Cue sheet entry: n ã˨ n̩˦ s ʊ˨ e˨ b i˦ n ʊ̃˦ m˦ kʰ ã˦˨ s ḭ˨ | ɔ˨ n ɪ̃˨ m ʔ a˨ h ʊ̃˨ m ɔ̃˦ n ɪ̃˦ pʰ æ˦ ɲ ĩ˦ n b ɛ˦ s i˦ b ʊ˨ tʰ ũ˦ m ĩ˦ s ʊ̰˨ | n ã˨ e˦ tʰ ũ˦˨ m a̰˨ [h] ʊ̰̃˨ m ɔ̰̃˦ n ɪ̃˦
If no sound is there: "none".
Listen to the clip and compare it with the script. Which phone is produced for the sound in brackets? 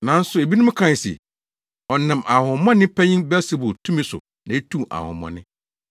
h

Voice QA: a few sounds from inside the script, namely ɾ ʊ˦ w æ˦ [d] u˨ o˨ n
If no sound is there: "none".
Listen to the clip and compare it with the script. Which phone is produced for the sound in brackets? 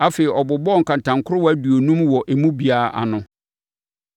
d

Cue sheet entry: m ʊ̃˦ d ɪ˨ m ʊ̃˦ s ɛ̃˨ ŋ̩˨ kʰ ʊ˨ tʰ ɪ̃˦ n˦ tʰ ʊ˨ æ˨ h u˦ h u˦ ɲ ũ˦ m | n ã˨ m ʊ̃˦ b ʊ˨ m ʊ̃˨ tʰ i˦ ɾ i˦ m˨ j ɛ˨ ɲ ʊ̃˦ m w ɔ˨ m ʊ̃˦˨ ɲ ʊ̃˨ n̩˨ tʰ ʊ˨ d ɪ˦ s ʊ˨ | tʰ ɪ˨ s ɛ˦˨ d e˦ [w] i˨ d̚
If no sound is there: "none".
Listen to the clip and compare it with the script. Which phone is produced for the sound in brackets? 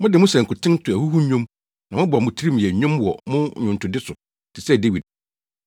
w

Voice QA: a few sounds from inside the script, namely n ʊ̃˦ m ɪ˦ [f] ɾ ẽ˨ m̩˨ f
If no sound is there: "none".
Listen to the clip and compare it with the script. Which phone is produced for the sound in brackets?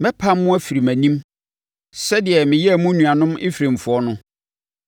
f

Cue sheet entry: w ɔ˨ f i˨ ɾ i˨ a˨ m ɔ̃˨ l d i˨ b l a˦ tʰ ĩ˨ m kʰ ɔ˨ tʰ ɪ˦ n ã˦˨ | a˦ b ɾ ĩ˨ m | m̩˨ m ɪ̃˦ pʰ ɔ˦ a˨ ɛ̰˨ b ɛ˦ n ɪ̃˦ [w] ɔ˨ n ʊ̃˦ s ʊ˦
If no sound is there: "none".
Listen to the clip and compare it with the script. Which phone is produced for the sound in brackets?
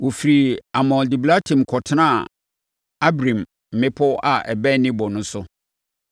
b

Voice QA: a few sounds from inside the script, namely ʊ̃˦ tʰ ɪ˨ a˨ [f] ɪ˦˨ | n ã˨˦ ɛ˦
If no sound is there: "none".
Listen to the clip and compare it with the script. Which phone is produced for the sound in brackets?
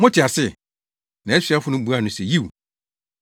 s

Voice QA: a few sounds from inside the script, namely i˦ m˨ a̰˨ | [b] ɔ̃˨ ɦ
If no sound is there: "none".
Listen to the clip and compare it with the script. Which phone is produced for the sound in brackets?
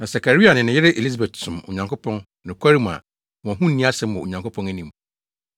w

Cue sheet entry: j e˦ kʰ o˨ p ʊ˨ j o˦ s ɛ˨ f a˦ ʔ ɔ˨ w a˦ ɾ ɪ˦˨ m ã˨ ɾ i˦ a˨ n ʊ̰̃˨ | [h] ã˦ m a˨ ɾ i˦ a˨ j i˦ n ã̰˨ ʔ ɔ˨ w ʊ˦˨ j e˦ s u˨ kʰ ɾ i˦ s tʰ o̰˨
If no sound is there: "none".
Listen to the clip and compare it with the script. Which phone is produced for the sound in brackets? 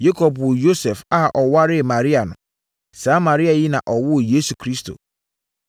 s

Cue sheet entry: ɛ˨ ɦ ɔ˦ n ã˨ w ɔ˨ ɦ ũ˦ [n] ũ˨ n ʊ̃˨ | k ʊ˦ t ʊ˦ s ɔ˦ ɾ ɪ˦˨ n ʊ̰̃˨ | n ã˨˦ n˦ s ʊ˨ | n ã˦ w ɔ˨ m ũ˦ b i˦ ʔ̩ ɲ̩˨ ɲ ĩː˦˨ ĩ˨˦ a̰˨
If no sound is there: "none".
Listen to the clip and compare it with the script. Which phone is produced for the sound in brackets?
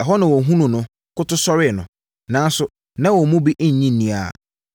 n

